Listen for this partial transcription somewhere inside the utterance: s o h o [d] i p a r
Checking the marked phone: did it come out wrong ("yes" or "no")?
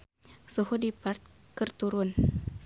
no